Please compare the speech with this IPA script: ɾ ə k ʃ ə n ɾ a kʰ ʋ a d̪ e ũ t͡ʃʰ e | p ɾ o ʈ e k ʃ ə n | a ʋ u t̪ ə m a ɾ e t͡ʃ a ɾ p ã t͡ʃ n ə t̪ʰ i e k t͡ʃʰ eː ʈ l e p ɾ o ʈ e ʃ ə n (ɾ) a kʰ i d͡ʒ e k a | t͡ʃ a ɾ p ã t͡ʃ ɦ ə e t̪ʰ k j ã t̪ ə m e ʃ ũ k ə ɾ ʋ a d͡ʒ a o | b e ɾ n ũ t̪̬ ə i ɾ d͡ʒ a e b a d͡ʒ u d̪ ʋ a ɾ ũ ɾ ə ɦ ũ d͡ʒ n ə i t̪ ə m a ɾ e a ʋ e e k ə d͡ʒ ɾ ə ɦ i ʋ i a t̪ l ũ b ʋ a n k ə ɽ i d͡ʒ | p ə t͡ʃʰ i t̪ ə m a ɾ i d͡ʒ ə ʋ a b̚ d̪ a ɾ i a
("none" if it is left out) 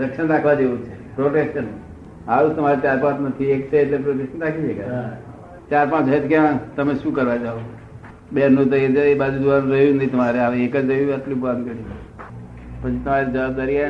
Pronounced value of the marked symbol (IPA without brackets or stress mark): ɾ